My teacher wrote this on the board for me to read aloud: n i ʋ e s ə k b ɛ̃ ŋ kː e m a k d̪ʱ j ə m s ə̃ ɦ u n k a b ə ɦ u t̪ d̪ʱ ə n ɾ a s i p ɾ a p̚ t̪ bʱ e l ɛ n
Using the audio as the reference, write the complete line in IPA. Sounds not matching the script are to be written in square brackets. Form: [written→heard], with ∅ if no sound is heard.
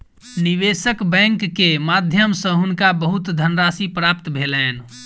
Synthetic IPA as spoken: n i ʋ e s ə k b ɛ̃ ŋ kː e m a [k→∅] d̪ʱ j ə m s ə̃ ɦ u n k a b ə ɦ u t̪ d̪ʱ ə n ɾ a s i p ɾ a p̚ t̪ bʱ e l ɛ n